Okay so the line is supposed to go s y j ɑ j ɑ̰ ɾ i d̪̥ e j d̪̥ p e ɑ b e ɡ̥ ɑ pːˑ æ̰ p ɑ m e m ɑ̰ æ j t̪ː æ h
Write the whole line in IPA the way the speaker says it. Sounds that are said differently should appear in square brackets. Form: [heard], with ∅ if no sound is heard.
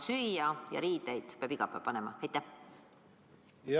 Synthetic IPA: s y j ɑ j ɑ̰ ɾ [iː] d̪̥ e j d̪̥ p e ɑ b [i] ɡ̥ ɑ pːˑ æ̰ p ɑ [n] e m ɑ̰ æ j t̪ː æ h